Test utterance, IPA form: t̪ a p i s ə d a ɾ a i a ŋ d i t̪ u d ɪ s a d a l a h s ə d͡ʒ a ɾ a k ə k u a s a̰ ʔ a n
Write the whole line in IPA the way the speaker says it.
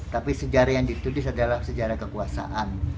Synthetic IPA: t̪ a p i s ə d͡ʒ a ɾ a j a ŋ d i t̪ u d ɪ s a d a l a h s ə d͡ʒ a ɾ a k ə k u a s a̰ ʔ a n